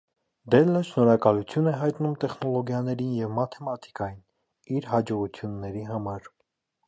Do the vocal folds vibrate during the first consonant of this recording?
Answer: yes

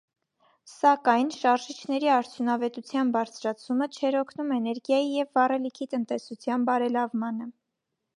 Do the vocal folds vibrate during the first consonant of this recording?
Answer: no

